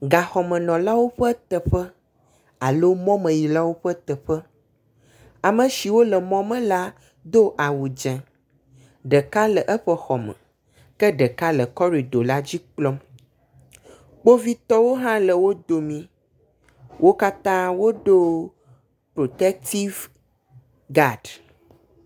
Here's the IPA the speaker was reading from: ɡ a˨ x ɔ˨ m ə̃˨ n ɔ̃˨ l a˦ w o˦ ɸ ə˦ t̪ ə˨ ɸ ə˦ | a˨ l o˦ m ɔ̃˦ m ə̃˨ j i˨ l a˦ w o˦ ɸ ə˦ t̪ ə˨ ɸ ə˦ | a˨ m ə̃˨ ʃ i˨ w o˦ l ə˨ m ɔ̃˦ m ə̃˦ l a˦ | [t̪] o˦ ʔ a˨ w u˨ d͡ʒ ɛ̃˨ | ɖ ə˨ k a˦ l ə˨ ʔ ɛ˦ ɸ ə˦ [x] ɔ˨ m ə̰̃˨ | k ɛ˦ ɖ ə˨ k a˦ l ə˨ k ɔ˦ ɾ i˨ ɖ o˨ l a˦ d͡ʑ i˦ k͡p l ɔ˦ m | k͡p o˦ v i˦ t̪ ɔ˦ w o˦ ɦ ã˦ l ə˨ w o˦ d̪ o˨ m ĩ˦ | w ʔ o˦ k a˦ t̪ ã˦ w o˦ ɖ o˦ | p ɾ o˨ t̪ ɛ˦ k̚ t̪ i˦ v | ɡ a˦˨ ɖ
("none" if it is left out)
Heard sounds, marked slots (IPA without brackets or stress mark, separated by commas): d̪, x